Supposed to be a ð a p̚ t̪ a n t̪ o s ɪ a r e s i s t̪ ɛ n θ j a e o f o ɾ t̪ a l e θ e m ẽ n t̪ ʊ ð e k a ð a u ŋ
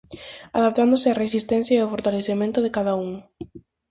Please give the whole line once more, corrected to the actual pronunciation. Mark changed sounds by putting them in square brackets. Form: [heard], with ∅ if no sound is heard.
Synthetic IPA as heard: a ð a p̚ t̪ a n [d̪] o s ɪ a r e s i s t̪ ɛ n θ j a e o f o ɾ t̪ a l e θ e m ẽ n t̪ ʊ ð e k a ð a u ŋ